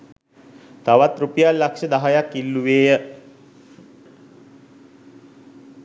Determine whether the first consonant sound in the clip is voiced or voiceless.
voiceless